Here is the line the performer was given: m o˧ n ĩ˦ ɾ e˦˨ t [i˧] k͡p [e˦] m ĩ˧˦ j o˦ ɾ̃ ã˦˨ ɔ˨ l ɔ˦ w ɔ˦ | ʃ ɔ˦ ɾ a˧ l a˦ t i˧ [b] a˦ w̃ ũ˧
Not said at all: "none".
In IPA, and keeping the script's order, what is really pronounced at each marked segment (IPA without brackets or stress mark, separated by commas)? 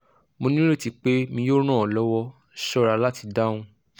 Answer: i˧, e˦, d